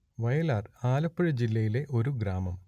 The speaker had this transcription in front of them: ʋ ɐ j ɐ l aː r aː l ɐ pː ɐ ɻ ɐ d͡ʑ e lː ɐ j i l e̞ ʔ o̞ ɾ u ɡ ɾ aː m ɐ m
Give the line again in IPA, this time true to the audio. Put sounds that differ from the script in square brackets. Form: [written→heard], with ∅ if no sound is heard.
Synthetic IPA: ʋ ɐ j ɐ l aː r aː l ɐ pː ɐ ɻ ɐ d͡ʑ [e→i] lː ɐ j i l e̞ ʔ o̞ ɾ u ɡ ɾ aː m ɐ m